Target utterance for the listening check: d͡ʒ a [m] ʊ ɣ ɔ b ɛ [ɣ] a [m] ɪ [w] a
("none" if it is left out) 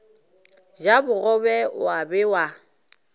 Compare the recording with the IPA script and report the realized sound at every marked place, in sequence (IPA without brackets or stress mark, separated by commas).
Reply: b, w, b, w